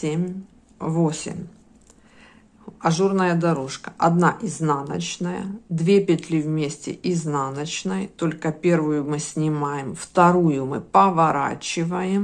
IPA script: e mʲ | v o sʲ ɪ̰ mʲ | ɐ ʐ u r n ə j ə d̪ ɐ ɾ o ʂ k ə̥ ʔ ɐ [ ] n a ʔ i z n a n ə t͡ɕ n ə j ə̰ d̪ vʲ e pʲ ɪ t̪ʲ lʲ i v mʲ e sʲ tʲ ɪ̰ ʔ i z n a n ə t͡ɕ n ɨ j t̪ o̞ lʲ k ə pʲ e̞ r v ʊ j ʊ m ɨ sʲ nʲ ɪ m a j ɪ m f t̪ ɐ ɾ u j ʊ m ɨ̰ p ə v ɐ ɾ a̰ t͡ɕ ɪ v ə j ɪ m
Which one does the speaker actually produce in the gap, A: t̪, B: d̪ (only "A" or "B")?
B